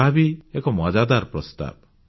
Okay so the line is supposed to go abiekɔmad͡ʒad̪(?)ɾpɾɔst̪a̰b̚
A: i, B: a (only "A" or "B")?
B